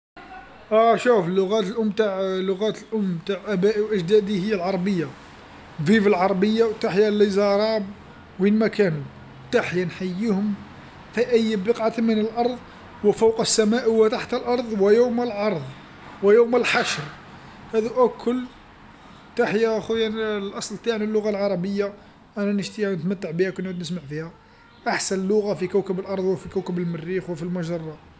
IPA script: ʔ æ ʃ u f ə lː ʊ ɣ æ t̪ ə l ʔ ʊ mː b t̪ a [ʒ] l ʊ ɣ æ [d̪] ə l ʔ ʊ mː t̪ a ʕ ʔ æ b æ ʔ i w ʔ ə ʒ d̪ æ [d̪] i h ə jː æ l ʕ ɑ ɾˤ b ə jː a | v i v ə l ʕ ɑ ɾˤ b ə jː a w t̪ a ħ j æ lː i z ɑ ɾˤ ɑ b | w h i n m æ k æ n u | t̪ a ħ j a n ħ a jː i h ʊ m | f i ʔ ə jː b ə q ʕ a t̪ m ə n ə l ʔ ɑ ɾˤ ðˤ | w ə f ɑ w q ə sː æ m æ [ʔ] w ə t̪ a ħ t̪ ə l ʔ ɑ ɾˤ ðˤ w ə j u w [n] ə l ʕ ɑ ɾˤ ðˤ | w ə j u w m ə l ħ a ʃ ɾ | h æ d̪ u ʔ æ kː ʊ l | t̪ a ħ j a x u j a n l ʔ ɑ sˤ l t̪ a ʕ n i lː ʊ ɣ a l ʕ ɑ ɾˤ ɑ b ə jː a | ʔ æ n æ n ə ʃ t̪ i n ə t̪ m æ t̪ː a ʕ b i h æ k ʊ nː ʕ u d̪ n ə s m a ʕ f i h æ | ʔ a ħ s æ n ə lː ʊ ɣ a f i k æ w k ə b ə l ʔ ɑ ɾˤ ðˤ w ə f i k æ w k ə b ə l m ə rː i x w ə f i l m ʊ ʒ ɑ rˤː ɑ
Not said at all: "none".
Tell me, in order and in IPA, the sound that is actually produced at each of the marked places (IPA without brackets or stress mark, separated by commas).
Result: ʕ, t̪, d̪, ʔ, m